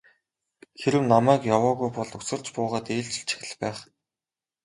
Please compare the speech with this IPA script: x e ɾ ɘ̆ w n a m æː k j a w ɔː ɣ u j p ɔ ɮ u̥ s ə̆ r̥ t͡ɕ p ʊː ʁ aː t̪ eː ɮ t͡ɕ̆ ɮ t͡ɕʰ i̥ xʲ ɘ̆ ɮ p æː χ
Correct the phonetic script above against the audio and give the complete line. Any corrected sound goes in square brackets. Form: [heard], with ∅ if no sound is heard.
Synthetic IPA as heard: x e ɾ ɘ̆ w n a m æː k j a w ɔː ɣ u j p ɔ ɮ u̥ s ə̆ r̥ t͡ɕ p ʊː ʁ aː t̪ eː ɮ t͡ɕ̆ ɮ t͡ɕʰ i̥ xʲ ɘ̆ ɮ p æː χ